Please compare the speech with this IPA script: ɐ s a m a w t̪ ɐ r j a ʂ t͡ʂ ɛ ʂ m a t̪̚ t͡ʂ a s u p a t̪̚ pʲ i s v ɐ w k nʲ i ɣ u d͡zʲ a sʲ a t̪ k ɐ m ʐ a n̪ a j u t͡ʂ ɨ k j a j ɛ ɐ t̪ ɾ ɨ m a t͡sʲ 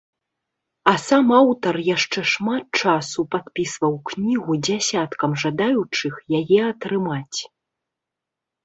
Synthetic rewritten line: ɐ s a m a w t̪ ɐ r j a ʂ t͡ʂ ɛ ʂ m a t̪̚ t͡ʂ a s u p a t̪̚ pʲ i s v ɐ w k nʲ i ɣ u d͡zʲ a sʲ a t̪ k ɐ m ʐ a d̪ a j u t͡ʂ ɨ x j a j ɛ ɐ t̪ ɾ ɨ m a t͡sʲ